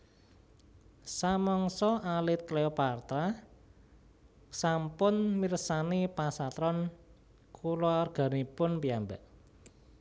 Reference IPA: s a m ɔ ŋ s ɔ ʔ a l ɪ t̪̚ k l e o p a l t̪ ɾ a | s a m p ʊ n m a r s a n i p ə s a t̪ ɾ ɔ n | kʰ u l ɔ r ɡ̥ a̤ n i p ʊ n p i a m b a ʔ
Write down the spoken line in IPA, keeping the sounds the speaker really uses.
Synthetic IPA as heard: s a m ɔ ŋ s ɔ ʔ a l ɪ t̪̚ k l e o p a r t̪ ɾ a | s a m p ʊ n m i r s a n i p a s a t̪ ɾ ɔ n | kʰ u l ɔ r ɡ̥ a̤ n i p ʊ n p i a m b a ʔ